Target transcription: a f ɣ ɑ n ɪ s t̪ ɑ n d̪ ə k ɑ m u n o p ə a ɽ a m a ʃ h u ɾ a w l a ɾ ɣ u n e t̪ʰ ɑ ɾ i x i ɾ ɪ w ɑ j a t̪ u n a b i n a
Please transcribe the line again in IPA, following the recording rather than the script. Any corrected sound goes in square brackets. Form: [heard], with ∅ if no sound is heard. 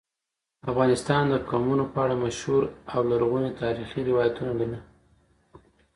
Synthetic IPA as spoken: a f ɣ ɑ n ɪ s t̪ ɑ n d̪ ə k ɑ m u n o p ə a ɽ a m a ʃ h u ɾ a w l a ɾ ɣ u n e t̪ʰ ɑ ɾ i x i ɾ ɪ w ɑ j a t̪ u n a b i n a